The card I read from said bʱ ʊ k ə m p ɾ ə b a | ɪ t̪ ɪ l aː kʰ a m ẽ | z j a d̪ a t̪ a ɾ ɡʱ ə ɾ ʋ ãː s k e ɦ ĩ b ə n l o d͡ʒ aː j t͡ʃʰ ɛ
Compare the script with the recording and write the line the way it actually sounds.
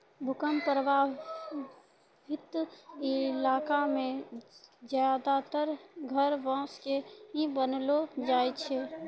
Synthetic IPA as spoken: bʱ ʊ k ə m p ɾ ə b a | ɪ t̪ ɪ l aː k a m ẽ | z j a d̪ a t̪ ə ɾ ɡʱ ə ɾ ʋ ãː s k e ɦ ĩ b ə n l o d͡ʒ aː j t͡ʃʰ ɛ